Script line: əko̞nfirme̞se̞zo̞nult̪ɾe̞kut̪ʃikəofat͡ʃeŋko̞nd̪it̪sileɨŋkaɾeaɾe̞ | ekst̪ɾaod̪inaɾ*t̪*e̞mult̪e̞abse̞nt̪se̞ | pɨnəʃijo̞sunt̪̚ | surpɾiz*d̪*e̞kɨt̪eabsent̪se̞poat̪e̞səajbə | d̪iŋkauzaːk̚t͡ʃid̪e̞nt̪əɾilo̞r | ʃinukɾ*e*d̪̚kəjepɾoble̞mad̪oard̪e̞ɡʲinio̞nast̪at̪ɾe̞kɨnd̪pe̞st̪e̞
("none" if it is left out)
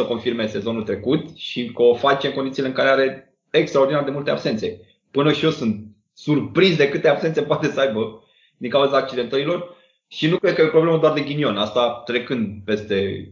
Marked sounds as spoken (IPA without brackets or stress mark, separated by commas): d̪, d̪, e